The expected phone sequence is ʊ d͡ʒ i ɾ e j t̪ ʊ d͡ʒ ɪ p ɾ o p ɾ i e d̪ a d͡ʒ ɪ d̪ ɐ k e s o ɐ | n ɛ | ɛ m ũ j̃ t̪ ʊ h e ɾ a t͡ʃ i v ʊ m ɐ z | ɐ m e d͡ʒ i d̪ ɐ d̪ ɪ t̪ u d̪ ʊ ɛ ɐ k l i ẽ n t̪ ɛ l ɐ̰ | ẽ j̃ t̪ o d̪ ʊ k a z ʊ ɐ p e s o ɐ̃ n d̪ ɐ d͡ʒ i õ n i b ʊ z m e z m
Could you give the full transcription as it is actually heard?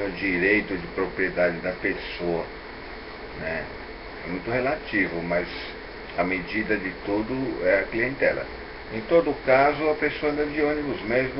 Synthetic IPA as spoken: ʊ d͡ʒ i ɾ e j t̪ ʊ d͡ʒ ɪ p ɾ o p ɾ i e d̪ a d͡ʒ ɪ d̪ ɐ p e s o ɐ | n ɛ | ɛ m ũ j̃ t̪ ʊ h e l a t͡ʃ i v ʊ m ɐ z | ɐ m e d͡ʒ i d̪ ɐ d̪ ɪ t̪ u d̪ ʊ ɛ ɐ k l i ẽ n t̪ ɛ l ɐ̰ | ẽ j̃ t̪ o d̪ ʊ k a z ʊ ɐ p e s o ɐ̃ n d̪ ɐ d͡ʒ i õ n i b ʊ z m e z m